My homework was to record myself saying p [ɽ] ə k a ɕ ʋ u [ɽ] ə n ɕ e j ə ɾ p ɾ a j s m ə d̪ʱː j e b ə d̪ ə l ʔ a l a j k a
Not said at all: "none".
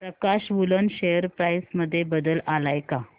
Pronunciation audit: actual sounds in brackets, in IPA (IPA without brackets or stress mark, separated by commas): ɾ, l